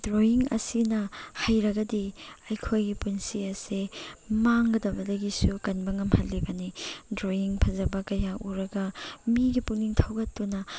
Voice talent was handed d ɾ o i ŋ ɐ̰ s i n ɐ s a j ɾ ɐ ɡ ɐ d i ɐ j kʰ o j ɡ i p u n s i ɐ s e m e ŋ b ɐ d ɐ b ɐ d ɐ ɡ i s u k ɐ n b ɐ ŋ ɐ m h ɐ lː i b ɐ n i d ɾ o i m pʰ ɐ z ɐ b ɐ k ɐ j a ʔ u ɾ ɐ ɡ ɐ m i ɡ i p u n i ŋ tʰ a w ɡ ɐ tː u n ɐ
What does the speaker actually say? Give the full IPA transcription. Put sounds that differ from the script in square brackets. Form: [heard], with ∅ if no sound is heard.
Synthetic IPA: d ɾ o i ŋ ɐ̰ s i n ɐ [h] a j ɾ ɐ ɡ ɐ d i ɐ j kʰ o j ɡ i p u n s i ɐ s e m [a] ŋ [ɡ] ɐ d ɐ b ɐ d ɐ ɡ i s u k ɐ n b ɐ ŋ ɐ m h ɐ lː i b ɐ n i d ɾ o i [ŋ] pʰ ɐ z ɐ b ɐ k ɐ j a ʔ u ɾ ɐ ɡ ɐ m i ɡ i p u n i ŋ tʰ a w ɡ ɐ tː u n ɐ